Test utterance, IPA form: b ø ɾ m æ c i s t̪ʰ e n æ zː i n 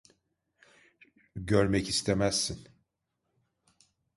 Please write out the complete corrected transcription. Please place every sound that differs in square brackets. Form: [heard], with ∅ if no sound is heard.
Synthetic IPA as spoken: [ɟ] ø ɾ m [ɛ] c i s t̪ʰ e [m] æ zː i n